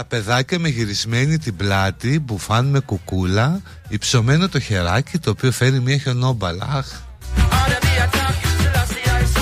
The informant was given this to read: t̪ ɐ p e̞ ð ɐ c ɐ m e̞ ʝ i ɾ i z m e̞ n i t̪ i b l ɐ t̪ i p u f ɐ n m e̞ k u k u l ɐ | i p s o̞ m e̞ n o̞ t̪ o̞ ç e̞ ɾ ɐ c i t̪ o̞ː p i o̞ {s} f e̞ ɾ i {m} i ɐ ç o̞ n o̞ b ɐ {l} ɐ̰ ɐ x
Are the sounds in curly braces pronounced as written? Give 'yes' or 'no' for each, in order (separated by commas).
no, yes, yes